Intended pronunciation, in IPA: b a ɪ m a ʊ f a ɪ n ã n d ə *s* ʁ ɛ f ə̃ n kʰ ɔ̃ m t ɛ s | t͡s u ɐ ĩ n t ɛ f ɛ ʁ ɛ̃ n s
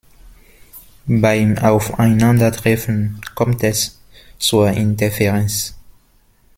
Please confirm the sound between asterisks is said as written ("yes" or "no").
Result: no